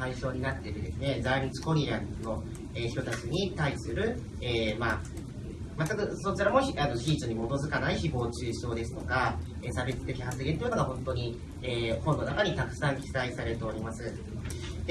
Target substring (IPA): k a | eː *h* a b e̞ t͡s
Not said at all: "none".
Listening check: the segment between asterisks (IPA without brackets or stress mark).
s